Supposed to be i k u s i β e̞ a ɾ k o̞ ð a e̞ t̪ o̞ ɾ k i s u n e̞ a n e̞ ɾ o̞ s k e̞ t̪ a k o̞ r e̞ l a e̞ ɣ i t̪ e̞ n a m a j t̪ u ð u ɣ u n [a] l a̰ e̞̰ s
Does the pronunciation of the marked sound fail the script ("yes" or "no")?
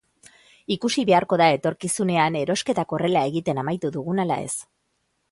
no